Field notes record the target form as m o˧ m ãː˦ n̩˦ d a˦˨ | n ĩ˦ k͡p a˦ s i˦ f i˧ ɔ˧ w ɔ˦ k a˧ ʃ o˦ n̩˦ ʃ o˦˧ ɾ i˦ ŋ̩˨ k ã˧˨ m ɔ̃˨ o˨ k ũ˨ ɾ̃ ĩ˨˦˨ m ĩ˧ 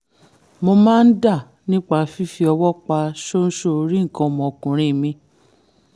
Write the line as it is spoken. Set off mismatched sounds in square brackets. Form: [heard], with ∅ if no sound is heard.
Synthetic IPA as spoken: m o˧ m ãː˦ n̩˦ d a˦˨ | n ĩ˦ k͡p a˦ [f] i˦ f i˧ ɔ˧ w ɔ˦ [k͡p] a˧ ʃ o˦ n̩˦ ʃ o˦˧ ɾ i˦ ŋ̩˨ k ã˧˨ m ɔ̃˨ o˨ k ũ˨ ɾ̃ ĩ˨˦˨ m ĩ˧

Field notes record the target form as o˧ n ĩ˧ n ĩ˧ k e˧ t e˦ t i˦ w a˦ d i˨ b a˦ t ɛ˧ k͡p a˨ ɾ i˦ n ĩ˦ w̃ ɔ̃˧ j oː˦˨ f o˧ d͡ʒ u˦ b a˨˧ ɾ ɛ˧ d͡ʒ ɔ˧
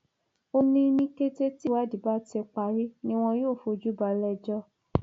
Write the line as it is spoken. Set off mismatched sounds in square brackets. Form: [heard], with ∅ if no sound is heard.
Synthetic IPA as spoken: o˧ n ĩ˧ n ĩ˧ k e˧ t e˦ t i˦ w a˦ d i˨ b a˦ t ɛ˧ k͡p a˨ ɾ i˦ n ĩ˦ w̃ ɔ̃˧ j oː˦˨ f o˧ d͡ʒ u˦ b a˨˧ [l] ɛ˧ d͡ʒ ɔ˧

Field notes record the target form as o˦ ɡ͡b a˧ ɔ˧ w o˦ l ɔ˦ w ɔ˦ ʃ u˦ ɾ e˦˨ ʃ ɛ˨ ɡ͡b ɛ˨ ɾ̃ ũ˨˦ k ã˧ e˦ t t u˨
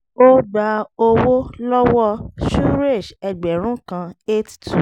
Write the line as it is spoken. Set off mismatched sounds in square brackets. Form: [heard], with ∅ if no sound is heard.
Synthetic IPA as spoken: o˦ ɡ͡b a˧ [o˧] w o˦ l ɔ˦ w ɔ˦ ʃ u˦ ɾ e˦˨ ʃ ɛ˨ ɡ͡b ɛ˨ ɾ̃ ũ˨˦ k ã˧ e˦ t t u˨

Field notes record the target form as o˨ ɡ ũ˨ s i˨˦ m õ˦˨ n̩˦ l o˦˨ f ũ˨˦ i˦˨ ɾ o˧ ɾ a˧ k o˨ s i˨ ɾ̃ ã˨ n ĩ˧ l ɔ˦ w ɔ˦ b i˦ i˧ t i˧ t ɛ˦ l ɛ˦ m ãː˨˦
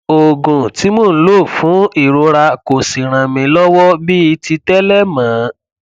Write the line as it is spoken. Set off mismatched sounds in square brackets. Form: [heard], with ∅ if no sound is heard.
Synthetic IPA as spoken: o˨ ɡ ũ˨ [t] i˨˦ m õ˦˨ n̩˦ l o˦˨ f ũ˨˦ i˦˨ ɾ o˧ ɾ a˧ k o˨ s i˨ ɾ̃ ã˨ [m] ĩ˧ l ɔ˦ w ɔ˦ b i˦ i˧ t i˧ t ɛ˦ l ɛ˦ m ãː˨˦

